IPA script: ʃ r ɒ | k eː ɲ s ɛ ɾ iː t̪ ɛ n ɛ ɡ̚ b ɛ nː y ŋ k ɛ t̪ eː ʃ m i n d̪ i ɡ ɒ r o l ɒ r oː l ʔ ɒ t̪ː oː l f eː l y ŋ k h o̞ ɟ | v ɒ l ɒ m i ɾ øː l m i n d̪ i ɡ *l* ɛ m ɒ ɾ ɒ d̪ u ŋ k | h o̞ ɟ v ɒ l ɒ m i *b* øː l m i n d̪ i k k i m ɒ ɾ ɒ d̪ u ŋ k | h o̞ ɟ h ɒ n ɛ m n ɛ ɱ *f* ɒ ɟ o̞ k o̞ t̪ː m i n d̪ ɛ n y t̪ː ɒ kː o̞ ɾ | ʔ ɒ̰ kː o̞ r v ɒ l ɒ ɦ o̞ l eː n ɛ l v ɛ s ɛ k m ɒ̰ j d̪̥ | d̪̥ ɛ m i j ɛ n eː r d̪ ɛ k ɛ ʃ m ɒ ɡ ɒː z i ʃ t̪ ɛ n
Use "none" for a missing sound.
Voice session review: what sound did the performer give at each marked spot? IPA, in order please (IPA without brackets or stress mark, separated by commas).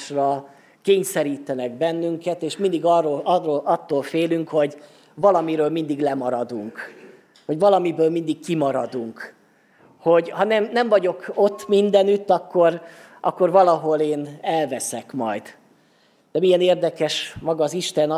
l, b, v